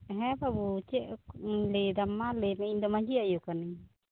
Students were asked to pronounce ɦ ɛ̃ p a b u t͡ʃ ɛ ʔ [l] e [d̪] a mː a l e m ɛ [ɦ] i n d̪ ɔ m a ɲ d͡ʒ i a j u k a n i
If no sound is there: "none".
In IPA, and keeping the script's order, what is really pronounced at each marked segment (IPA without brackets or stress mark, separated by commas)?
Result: l, d̪, none